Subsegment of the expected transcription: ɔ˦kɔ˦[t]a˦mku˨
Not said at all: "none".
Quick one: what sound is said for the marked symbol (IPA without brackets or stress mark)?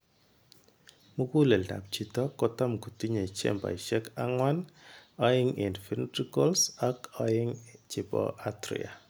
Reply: t